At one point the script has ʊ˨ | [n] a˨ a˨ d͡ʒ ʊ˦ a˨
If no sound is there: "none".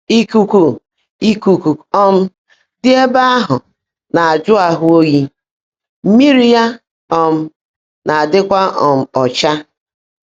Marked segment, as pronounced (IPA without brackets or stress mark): n